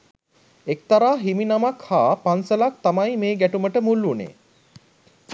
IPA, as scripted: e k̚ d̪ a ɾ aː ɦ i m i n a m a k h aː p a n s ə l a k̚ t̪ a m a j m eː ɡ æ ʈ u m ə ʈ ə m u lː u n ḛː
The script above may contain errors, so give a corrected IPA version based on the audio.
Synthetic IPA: e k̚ t̪ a ɾ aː ɦ i m i n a m a k h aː p a n s ə l a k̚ t̪ a m a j m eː ɡ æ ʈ u m ə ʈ ə m u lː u n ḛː